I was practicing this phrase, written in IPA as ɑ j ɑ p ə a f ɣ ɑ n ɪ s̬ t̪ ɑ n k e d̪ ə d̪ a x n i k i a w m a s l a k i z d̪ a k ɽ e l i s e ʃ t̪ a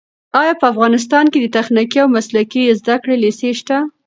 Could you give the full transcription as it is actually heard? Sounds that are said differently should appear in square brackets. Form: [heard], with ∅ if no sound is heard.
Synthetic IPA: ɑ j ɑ p ə a f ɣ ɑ n ɪ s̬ t̪ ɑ n k e d̪ ə [t̪] a x n i k i a w m a s l a k i z d̪ a k ɽ e l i s e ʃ t̪ a